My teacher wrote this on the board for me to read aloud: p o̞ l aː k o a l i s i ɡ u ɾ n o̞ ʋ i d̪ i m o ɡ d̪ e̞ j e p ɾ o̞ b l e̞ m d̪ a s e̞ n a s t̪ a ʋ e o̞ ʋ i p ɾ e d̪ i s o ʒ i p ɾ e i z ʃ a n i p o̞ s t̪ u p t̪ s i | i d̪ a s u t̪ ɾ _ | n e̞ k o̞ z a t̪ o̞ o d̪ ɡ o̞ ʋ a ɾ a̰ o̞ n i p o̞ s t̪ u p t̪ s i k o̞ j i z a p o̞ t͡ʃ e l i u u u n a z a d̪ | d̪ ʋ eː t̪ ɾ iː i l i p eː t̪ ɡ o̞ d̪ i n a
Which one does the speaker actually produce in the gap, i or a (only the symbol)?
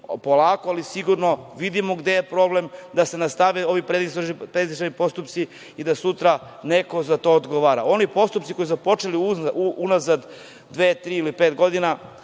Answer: a